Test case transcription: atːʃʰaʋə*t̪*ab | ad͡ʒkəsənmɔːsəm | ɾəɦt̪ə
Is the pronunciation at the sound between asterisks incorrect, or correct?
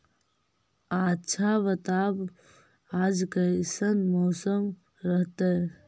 correct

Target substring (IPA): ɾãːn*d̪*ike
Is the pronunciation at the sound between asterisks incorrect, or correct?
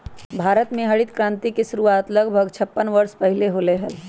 incorrect: t̪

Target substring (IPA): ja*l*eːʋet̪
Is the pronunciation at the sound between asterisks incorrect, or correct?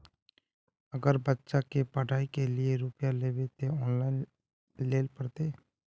correct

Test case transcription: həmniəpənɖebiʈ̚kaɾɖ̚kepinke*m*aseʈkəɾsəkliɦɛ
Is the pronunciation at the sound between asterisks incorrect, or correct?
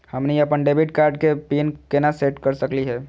incorrect: n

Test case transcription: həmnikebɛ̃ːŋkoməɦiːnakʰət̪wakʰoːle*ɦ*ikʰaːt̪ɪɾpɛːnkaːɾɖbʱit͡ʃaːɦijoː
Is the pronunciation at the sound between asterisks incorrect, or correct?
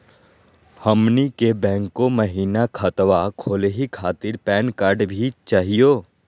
correct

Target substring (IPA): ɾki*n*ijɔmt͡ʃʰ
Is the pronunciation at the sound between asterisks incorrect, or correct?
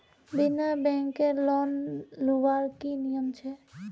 correct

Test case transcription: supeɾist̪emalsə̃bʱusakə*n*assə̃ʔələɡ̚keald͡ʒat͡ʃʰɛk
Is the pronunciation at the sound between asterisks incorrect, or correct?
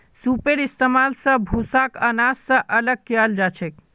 correct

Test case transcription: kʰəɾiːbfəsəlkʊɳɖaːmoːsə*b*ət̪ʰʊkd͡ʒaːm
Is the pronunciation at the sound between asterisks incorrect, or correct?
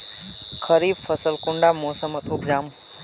incorrect: m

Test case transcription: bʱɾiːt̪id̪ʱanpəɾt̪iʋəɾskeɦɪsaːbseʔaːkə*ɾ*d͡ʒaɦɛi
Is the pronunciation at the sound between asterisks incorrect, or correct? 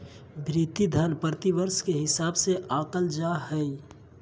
incorrect: l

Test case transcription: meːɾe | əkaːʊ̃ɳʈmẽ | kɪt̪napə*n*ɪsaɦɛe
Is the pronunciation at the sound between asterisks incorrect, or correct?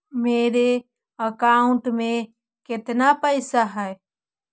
incorrect: none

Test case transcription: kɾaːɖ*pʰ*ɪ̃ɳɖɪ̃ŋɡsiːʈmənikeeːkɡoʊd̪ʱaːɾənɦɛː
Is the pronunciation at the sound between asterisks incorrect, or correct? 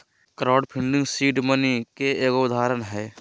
correct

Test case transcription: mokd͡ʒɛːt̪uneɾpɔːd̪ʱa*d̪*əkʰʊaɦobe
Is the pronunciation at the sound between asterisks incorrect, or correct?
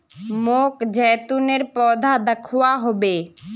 correct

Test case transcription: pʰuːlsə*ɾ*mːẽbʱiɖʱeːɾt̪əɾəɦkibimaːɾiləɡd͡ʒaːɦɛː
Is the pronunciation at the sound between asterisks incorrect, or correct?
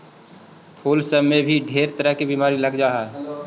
incorrect: none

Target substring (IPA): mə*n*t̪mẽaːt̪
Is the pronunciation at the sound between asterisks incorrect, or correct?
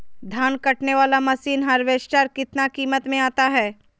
incorrect: none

